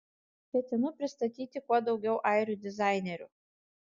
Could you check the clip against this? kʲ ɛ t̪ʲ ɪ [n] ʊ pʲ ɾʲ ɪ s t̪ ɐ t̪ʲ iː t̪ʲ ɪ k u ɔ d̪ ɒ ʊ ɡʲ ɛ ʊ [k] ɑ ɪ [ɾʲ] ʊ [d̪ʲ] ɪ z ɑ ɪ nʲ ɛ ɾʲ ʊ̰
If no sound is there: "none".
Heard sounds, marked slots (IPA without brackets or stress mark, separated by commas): n, ʔ, ɾʲ, d̪ʲ